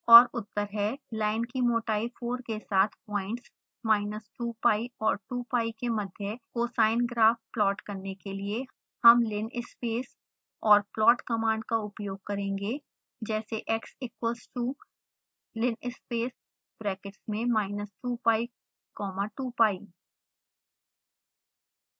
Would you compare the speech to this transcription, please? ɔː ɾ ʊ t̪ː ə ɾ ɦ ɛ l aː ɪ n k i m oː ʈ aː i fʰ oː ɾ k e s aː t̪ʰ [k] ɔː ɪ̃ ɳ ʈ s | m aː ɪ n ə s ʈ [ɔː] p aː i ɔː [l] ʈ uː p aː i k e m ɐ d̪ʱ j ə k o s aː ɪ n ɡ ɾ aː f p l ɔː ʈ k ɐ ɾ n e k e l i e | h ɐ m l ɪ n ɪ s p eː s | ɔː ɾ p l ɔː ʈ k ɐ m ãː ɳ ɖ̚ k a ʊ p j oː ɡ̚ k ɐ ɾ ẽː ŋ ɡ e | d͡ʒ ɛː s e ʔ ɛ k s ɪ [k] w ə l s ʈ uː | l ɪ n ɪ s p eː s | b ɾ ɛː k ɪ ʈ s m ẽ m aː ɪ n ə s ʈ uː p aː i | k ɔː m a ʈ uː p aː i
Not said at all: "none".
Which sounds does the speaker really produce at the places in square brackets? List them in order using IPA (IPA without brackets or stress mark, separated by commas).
p, uː, ɾ, k